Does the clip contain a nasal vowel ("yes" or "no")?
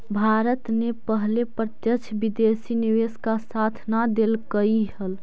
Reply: no